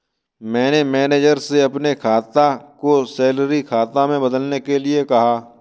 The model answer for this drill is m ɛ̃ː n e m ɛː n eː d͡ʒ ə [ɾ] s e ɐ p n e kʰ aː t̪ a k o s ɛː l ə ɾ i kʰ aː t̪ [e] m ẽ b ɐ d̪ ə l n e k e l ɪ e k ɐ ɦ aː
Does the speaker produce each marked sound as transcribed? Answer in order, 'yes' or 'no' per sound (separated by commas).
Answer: yes, no